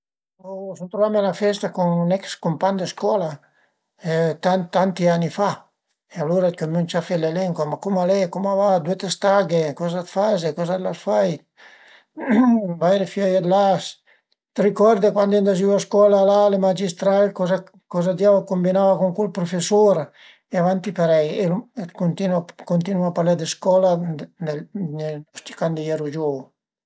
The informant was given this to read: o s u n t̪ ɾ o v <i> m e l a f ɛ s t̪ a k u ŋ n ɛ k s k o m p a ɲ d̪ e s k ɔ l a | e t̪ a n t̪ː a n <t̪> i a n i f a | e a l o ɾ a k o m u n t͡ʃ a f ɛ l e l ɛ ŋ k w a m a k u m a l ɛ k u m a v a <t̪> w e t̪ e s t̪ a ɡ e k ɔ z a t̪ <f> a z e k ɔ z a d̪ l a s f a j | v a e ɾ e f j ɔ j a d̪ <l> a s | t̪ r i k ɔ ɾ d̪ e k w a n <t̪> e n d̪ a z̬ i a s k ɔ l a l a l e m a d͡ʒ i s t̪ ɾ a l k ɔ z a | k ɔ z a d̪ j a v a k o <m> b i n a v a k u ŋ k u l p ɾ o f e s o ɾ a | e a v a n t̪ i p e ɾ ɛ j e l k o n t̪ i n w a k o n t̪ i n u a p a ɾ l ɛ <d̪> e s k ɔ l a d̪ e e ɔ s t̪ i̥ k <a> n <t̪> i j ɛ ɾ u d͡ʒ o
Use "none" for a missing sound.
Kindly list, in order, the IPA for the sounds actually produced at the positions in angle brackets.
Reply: a, t̪, d̪, f, l, d̪, m, d̪, a, d̪

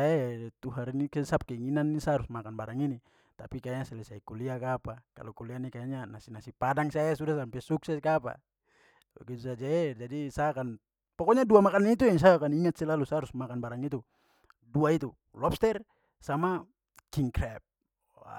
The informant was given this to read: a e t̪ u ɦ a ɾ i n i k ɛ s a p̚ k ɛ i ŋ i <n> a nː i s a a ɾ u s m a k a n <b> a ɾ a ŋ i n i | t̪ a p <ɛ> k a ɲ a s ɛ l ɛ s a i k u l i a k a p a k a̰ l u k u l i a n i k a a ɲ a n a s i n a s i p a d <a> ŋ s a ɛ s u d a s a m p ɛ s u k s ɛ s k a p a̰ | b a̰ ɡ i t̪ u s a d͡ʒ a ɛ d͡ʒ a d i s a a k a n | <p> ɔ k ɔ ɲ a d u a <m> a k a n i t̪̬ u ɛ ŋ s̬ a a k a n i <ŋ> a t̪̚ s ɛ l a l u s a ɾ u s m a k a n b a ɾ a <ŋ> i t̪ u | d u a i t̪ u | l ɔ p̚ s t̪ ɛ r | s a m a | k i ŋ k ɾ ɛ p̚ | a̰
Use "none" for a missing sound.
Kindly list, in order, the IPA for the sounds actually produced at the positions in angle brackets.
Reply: n, b, i, a, p, m, ŋ, ŋ

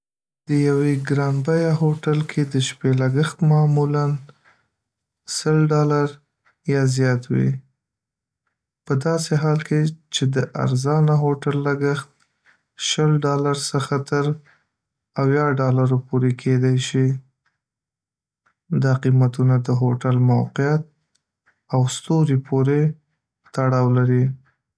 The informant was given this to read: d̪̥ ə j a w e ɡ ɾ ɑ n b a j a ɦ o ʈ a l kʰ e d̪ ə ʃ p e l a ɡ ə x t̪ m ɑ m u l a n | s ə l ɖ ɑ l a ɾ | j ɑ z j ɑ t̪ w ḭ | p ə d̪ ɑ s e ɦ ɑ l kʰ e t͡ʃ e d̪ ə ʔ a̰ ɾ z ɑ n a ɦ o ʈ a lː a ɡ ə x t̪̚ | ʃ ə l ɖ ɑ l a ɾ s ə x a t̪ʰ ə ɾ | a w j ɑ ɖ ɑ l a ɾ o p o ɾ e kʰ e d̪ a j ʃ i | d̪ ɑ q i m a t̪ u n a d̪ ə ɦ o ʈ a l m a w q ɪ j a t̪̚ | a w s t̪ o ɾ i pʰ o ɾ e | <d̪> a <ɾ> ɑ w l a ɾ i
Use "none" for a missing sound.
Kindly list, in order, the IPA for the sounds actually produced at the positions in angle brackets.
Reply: t̪, ɽ

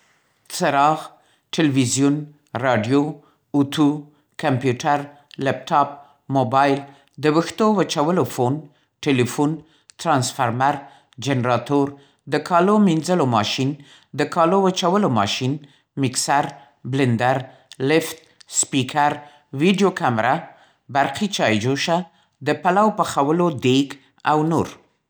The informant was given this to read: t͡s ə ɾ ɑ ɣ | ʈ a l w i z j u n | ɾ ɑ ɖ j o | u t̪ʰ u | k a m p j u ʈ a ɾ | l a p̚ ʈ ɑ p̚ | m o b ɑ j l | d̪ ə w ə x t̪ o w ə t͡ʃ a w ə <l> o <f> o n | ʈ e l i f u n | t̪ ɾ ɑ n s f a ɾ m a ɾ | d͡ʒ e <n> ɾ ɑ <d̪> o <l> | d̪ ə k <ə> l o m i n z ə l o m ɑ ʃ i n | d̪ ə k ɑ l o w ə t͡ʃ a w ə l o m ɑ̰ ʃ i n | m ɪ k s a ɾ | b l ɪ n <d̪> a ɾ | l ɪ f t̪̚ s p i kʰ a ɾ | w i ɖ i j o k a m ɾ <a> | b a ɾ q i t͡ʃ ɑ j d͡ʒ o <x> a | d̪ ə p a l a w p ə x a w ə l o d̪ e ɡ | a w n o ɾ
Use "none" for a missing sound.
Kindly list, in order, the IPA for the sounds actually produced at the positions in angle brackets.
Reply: l, f, n, t̪, ɾ, ɑ, d̪, a, ʃ

